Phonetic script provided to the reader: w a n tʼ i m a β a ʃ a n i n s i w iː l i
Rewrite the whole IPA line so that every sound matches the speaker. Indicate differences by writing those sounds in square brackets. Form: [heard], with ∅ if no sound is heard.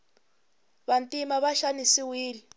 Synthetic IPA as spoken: [β] a n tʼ i m a β a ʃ a n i [∅] s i w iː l i